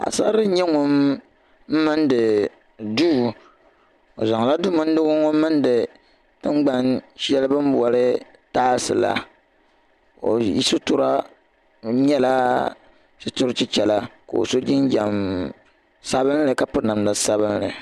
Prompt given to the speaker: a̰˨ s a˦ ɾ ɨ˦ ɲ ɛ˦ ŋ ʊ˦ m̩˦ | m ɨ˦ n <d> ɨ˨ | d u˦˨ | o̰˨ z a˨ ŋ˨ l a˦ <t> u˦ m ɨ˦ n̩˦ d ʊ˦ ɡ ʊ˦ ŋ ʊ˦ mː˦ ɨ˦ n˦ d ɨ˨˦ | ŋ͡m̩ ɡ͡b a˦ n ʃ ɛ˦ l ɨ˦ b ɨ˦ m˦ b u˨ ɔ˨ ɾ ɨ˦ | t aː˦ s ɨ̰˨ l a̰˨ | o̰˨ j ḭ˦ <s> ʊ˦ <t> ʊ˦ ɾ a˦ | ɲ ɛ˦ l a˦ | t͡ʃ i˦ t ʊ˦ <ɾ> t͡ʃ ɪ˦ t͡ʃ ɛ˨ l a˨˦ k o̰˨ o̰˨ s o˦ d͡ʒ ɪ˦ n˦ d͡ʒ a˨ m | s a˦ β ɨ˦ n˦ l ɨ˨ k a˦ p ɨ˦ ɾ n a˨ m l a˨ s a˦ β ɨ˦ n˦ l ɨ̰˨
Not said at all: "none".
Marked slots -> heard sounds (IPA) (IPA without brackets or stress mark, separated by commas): d, d, s, t, ɾ